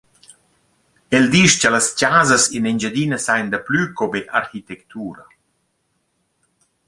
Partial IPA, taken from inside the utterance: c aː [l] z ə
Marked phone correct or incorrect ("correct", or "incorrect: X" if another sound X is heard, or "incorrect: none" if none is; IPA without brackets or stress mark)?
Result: incorrect: none